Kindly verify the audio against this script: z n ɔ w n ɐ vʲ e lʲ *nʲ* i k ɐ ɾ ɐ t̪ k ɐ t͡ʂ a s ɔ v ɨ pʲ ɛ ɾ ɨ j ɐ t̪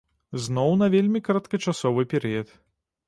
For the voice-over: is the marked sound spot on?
no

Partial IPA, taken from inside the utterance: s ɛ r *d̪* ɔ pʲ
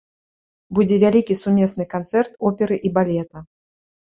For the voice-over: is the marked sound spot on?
no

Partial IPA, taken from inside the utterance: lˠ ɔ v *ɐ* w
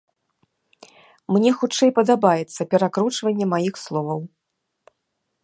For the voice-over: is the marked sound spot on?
yes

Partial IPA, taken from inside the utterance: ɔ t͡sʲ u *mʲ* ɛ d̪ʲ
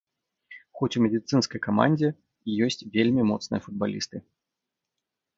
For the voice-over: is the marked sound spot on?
yes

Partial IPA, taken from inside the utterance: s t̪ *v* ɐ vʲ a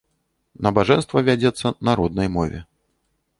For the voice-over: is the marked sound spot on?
yes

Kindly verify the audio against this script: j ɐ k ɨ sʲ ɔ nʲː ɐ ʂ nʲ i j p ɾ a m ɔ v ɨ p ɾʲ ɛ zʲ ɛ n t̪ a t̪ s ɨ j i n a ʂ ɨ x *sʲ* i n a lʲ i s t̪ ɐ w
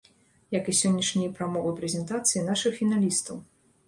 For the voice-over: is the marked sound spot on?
no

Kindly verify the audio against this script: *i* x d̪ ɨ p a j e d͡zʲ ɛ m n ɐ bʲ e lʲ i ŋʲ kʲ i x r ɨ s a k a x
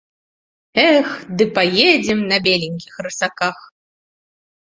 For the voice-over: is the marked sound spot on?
no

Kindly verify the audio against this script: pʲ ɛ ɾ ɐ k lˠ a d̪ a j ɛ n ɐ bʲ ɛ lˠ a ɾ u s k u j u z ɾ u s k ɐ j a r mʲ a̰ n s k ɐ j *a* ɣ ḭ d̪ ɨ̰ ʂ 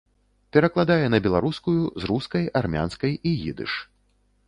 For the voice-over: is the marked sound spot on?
no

